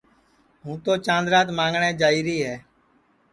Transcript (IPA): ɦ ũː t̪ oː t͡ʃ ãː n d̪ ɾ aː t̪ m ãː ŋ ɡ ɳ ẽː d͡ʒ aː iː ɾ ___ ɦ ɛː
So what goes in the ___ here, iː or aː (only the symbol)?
iː